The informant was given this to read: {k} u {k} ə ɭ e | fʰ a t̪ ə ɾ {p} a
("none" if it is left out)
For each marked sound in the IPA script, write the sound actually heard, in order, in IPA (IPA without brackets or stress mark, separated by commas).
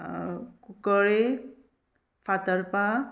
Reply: k, k, p